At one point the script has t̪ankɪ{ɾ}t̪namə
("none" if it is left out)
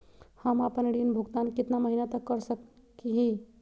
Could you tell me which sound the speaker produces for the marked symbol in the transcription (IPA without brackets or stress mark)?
none